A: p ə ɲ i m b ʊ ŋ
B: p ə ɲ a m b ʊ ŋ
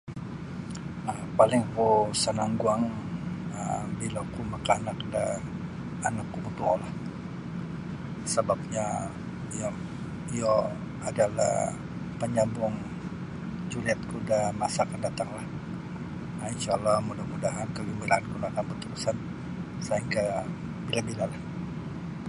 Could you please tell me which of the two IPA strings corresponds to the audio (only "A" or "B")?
B